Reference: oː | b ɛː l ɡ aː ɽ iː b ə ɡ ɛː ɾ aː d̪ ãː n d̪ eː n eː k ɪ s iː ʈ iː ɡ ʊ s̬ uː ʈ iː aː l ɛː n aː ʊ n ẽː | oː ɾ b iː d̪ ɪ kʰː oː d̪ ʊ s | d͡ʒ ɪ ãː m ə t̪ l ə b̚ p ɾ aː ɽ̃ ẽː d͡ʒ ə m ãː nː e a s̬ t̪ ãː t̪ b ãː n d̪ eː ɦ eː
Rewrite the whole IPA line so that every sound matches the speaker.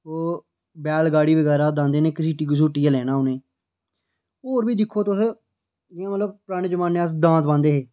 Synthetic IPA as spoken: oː | b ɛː l ɡ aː ɽ iː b ə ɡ ɛː ɾ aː d̪ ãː n d̪ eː n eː k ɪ s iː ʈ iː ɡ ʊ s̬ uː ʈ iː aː l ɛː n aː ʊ n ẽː | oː ɾ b iː d̪ ɪ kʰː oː t̪ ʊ s | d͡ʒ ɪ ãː m ə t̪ l ə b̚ p ɾ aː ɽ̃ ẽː d͡ʒ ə m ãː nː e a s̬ d̪ ãː t̪ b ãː n d̪ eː ɦ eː